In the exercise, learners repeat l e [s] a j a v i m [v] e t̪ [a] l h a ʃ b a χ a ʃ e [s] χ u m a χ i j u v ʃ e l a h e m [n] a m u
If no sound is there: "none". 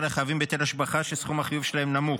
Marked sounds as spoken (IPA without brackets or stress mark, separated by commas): χ, b, e, s, n